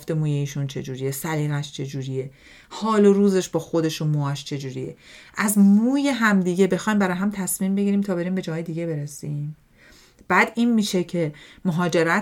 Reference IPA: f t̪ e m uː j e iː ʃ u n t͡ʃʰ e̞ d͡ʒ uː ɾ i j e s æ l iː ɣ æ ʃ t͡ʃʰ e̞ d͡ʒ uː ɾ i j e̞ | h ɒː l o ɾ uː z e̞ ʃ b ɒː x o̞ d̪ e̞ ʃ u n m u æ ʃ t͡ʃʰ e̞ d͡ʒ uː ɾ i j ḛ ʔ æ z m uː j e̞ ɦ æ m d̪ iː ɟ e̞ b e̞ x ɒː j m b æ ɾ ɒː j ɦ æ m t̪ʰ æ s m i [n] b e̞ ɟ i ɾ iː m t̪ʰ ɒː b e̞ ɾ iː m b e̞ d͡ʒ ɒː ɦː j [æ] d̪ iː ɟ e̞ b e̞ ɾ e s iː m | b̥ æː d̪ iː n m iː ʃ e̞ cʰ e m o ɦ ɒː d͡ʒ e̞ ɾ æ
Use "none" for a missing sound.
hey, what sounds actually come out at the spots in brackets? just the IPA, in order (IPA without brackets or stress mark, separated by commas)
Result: m, e